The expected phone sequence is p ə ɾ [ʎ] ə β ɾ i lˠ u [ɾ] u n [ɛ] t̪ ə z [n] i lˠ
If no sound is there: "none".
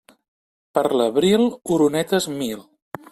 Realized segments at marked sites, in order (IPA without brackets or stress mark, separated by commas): l, ɾ, ɛ, m